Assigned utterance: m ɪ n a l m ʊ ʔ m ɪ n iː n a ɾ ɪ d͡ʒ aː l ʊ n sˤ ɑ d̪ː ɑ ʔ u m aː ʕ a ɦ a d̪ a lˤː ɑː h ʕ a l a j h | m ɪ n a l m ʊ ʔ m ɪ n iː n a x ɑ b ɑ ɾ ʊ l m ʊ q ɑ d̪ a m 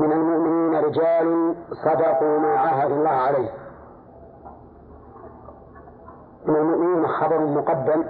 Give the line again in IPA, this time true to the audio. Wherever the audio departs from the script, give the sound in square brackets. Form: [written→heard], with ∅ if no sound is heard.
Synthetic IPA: m ɪ n a l m ʊ ʔ m ɪ n iː n a ɾ ɪ d͡ʒ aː l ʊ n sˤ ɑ [d̪ː→d̪] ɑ [ʔ→q] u m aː ʕ a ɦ a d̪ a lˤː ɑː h ʕ a l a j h | m ɪ n a l m ʊ ʔ m ɪ n iː n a x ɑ b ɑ ɾ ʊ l m ʊ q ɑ [d̪→d̪ː] a m